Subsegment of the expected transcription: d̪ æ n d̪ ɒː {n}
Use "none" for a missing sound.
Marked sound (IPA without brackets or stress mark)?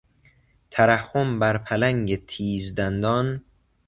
n